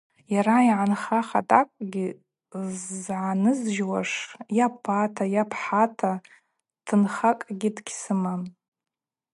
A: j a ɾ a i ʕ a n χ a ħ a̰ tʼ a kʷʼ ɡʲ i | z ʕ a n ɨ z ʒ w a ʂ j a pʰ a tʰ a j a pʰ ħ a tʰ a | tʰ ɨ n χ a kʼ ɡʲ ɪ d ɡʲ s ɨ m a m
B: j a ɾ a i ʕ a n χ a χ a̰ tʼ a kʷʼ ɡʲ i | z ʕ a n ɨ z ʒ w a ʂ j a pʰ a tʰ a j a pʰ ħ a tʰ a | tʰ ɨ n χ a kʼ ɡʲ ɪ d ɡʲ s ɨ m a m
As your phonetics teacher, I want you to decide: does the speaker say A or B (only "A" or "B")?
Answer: B